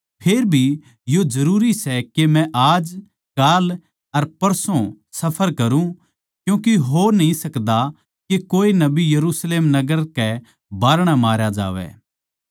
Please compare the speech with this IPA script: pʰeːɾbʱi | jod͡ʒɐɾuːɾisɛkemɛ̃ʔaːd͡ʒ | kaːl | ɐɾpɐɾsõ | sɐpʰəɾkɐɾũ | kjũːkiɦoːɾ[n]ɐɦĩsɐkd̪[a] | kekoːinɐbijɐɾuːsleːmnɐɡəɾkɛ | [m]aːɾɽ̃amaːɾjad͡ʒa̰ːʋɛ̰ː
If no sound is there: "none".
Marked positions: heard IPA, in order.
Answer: n, a, b

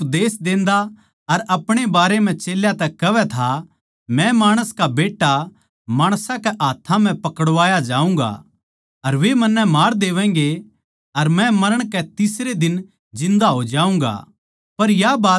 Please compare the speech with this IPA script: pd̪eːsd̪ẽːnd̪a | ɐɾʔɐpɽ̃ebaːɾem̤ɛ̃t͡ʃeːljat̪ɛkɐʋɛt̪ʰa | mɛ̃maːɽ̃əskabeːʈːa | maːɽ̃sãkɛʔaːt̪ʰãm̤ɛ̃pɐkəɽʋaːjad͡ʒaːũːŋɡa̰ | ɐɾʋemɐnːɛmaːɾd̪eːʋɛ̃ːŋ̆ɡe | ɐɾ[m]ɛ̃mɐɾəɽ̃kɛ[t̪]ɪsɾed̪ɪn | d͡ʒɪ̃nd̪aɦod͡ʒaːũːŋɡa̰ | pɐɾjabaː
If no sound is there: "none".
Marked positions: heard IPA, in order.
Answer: m, t̪

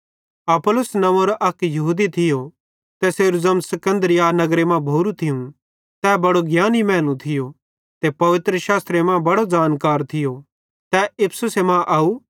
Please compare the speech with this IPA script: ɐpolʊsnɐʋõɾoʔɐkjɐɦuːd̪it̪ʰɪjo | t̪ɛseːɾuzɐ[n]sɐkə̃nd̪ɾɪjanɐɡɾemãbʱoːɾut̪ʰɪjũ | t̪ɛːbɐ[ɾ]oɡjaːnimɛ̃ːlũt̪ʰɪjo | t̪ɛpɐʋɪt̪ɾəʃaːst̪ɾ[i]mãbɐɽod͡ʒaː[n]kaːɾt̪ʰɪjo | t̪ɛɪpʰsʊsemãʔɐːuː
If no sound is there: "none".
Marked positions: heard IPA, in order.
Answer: m, ɽ, e, n

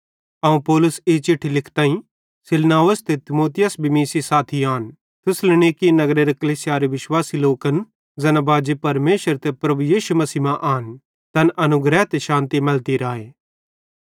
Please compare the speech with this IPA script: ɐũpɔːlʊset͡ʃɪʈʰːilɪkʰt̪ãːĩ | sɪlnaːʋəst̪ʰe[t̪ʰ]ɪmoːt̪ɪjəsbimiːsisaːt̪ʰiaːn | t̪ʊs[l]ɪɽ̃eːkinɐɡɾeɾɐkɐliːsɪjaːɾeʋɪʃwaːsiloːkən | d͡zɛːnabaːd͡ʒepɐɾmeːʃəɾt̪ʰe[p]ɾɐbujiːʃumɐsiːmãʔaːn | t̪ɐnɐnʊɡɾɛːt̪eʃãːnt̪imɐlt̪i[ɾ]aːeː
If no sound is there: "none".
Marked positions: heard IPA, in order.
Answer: t̪, l, p, ɾ

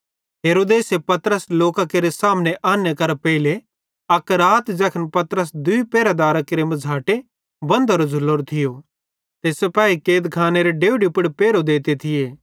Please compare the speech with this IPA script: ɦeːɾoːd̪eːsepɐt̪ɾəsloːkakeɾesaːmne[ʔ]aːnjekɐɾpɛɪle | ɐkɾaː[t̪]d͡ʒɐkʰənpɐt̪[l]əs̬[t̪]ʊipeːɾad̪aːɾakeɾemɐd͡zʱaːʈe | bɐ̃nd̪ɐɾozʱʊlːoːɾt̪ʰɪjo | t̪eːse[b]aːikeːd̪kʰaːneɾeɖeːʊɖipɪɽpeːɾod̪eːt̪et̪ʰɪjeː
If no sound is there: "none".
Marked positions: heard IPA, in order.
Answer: ʔ, t̪, ɾ, d̪, p

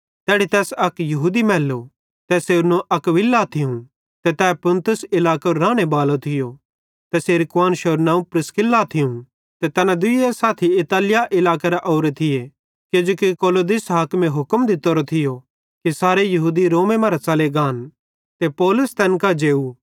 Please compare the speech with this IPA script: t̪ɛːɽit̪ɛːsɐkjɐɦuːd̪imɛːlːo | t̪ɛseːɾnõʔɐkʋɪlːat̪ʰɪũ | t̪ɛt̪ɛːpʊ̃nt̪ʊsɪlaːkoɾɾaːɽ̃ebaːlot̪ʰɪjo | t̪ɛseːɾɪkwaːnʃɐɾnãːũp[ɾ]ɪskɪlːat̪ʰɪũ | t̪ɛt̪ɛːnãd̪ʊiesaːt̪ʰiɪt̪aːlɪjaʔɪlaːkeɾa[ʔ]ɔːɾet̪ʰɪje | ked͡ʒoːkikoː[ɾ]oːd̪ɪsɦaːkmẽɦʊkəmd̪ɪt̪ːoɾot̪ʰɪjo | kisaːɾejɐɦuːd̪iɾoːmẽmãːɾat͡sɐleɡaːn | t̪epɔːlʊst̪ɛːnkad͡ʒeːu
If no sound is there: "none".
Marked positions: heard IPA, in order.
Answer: ɾ, ʔ, l

